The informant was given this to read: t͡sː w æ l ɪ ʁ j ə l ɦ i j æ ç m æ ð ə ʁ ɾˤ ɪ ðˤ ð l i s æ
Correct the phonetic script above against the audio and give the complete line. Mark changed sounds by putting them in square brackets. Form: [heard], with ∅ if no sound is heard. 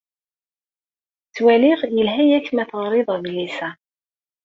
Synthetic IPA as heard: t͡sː w æ l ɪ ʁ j ə l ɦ [æ] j æ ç m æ [θ] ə ʁ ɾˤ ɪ ðˤ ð l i s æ